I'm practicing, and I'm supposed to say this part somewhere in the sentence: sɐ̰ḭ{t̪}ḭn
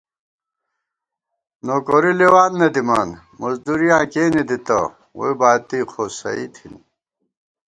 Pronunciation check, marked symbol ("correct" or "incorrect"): incorrect